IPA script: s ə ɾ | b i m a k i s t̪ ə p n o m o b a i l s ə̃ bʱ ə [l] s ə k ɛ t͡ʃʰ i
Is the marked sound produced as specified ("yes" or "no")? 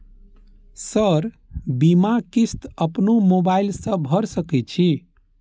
no